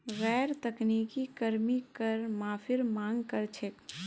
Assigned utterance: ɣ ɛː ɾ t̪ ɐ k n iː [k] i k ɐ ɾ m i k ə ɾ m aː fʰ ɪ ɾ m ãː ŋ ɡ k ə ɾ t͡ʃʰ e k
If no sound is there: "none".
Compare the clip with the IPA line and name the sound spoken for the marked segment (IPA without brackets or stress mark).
k